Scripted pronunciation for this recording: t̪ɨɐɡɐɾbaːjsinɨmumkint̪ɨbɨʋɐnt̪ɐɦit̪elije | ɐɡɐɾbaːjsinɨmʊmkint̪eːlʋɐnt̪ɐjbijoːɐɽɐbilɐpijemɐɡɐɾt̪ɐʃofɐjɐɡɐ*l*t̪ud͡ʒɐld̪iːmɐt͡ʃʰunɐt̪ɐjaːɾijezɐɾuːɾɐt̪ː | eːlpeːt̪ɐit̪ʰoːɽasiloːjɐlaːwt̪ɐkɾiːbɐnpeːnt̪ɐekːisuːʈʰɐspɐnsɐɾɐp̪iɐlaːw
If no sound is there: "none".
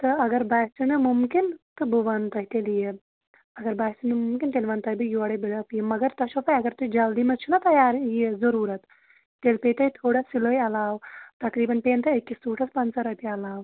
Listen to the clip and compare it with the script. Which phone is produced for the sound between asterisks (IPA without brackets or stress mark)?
ɾ